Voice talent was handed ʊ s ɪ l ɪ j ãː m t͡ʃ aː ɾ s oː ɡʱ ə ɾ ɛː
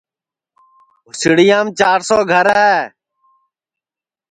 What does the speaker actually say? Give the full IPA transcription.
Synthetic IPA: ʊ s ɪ ɽ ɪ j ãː m t͡ʃ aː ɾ s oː ɡʱ ə ɾ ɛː

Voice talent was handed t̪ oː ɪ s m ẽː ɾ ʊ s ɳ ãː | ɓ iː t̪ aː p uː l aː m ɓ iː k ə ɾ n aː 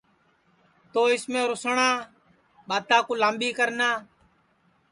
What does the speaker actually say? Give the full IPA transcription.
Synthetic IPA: t̪ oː ɪ s m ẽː ɾ ʊ s ɳ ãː | ɓ aː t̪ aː k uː l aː m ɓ iː k ə ɾ n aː

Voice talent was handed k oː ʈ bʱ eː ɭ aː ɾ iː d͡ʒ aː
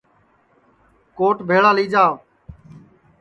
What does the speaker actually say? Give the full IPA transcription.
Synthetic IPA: k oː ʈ bʱ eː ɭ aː l iː d͡ʒ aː

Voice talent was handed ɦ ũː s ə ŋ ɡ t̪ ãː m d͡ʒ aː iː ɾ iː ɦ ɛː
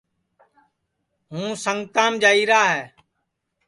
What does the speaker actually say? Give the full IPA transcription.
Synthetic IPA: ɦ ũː s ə ŋ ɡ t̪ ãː m d͡ʒ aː iː ɾ aː ɦ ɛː

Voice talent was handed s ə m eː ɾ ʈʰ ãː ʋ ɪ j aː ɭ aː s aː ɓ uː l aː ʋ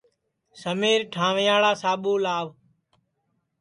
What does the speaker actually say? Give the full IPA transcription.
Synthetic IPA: s ə m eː ɾ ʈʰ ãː ʋ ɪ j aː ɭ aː s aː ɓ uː l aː ʋ

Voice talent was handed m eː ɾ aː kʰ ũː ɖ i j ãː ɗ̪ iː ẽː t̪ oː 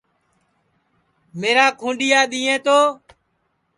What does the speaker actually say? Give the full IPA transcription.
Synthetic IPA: m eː ɾ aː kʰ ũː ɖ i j aː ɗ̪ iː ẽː t̪ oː

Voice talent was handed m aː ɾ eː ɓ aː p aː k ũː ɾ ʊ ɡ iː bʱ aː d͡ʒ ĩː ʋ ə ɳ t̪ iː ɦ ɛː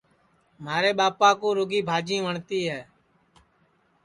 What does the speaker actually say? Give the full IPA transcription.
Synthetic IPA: m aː ɾ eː ɓ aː p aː k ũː ɾ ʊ ɡ iː bʱ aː d͡ʒ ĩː ʋ ə ɳ t̪ iː ɦ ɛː

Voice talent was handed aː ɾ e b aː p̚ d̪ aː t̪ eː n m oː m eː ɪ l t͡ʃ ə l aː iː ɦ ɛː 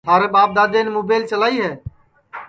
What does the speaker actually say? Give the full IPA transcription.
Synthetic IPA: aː ɾ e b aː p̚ d̪ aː d̪ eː n m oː b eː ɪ l t͡ʃ ə l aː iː ɦ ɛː

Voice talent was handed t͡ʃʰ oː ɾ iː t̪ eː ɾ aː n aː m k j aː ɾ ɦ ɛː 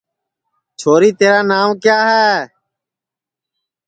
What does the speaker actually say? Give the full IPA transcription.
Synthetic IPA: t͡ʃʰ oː ɾ iː t̪ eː ɾ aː n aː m k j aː ɦ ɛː

